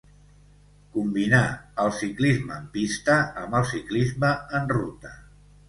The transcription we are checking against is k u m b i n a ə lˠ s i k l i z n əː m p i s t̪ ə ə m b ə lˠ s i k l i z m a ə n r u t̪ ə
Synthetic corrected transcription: k u m b i n a ə lˠ s i k l i z m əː m p i s t̪ ə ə m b ə lˠ s i k l i z m ə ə n r u t̪ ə